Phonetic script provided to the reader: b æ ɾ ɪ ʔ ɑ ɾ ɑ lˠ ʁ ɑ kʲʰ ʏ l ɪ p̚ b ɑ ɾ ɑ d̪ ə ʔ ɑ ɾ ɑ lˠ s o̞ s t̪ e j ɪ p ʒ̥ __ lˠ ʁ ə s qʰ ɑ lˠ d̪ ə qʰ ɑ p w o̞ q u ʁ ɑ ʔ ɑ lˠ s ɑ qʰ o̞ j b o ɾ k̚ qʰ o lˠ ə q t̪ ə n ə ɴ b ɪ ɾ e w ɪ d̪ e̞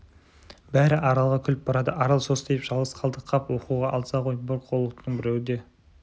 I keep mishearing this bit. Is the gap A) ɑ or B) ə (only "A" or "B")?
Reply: A